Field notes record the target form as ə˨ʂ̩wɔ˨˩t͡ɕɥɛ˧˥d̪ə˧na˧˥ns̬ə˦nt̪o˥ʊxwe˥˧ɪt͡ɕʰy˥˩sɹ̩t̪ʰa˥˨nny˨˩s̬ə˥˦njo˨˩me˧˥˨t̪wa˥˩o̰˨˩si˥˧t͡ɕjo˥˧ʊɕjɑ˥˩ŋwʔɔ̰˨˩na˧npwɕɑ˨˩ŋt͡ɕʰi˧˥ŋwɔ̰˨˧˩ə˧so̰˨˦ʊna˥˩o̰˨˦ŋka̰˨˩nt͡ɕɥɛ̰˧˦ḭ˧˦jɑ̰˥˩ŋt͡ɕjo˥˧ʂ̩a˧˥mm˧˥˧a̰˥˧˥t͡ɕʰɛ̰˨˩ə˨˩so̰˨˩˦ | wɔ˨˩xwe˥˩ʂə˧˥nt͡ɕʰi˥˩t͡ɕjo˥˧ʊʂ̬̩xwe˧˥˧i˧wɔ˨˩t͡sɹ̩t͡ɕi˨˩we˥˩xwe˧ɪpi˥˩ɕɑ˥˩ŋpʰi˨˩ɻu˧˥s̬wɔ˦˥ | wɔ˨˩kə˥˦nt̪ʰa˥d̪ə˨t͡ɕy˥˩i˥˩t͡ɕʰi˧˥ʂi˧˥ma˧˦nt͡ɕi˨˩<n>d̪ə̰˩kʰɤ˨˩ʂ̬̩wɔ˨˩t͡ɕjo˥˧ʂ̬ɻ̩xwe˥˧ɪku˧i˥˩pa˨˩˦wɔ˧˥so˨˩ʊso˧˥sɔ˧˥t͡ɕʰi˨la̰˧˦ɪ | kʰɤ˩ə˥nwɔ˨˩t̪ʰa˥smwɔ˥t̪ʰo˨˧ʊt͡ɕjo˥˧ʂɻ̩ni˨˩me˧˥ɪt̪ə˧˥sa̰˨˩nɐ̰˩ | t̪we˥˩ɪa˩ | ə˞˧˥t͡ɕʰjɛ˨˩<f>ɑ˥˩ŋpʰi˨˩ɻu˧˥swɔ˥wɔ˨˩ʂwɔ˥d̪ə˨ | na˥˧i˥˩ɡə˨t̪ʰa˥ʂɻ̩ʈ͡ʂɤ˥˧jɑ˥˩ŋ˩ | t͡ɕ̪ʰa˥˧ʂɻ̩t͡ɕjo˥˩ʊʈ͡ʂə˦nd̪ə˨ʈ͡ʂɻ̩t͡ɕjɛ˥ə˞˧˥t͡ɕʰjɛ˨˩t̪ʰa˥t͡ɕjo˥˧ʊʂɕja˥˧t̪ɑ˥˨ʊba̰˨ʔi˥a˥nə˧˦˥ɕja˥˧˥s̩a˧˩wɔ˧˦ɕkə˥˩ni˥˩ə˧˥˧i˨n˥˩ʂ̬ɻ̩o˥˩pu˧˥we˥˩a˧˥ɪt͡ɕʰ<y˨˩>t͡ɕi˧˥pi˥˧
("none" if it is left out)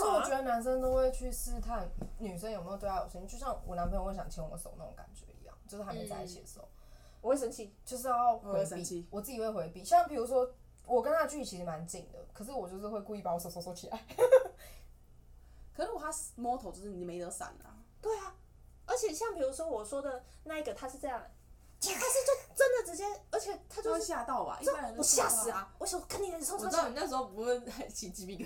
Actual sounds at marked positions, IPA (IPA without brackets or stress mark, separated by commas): ŋ, ɕ, i˨˩